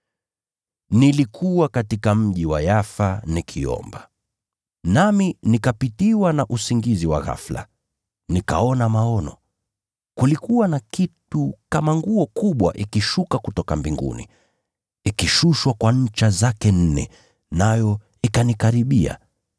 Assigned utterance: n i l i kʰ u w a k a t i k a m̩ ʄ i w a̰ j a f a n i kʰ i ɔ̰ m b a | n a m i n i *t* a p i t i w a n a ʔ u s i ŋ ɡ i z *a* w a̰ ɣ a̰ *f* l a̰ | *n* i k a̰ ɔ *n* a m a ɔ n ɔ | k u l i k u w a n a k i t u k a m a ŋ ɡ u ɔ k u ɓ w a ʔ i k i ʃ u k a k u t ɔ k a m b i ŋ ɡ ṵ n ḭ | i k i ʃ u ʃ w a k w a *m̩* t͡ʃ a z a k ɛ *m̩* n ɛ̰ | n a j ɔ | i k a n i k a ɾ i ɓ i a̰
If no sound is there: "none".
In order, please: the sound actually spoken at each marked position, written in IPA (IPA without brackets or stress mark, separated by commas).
k, i, f, n, n, ɲ̩, n̩